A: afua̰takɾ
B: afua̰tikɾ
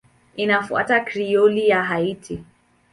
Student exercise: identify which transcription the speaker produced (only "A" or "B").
A